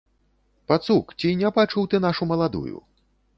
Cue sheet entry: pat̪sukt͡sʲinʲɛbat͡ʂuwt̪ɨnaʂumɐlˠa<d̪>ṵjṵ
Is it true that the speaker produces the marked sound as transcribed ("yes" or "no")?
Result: yes